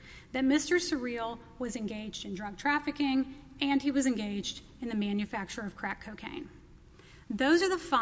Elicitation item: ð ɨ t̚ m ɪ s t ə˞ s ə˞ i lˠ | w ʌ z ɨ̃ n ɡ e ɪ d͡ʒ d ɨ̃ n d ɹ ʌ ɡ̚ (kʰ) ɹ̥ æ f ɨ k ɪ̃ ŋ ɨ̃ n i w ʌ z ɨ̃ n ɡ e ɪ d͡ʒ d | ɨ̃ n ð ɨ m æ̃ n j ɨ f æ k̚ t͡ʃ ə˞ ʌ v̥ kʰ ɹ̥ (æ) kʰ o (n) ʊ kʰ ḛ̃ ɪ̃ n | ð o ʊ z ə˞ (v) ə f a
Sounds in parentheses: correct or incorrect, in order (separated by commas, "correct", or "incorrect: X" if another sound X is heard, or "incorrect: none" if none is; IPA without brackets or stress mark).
incorrect: tʰ, correct, incorrect: none, incorrect: ð